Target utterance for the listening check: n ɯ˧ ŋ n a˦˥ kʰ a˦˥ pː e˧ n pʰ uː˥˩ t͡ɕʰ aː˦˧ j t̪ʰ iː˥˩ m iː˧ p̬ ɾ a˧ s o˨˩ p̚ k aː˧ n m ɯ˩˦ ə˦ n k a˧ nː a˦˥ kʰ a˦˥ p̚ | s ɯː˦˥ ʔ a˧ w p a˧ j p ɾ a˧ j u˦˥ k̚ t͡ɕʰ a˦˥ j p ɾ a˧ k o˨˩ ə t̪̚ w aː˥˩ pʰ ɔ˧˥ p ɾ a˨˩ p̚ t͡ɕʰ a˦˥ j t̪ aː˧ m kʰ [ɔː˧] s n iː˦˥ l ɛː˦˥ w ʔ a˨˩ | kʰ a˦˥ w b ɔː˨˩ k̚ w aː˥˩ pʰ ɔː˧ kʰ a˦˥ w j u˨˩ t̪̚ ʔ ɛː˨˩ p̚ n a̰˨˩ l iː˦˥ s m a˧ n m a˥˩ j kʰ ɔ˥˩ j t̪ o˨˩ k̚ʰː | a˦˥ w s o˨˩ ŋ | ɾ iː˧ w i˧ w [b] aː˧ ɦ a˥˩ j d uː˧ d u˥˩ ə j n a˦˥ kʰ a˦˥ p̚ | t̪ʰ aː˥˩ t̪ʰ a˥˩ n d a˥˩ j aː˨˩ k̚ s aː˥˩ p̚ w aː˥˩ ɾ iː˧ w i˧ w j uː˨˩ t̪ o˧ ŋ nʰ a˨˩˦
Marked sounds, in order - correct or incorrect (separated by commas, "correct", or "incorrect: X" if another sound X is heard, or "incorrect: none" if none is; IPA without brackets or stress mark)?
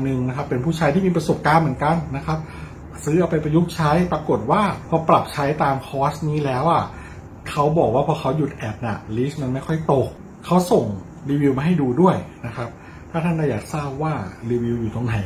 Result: incorrect: ɔː˦˥, incorrect: m